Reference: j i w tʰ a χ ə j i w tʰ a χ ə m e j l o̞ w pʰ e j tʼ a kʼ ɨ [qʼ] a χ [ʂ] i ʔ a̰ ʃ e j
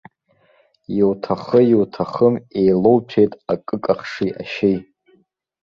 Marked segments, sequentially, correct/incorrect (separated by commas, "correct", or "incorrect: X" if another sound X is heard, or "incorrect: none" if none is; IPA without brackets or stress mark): incorrect: kʼ, correct